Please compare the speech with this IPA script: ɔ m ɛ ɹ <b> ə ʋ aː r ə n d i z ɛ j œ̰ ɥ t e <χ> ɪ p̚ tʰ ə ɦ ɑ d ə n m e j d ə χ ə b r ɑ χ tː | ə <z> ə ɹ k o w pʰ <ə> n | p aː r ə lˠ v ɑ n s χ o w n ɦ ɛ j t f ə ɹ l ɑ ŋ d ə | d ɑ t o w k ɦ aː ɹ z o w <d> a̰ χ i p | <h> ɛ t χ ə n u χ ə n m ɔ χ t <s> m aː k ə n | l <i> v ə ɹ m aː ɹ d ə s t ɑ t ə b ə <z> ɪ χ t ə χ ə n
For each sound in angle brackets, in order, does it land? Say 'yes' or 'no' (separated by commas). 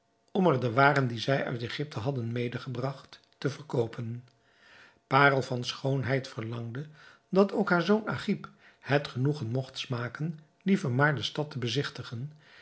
no, yes, no, yes, no, yes, yes, yes, yes